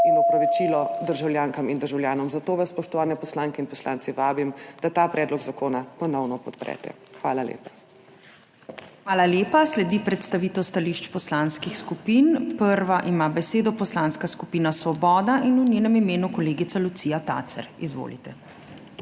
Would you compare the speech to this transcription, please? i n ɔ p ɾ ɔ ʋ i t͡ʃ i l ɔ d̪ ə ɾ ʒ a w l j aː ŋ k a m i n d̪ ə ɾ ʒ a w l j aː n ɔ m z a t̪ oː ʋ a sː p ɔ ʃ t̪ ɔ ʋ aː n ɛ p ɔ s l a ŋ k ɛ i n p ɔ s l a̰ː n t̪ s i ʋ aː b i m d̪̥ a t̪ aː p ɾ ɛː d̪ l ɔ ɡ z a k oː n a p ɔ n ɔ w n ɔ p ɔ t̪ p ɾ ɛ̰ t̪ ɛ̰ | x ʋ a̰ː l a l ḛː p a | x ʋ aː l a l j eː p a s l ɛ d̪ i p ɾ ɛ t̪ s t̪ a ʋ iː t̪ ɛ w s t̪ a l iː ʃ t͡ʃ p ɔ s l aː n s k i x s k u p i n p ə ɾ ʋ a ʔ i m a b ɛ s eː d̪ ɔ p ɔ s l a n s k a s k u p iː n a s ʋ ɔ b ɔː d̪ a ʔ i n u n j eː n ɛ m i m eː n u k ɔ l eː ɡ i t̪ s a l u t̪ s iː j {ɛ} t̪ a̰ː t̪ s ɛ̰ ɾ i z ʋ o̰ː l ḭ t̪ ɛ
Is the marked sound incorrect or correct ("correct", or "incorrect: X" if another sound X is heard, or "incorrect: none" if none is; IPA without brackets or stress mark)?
incorrect: a